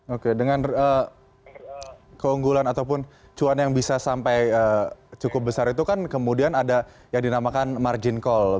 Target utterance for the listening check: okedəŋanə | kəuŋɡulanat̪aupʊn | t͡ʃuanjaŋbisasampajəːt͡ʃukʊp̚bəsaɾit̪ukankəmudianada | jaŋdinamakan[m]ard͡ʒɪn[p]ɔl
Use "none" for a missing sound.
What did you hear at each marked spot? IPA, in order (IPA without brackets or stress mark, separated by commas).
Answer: m, k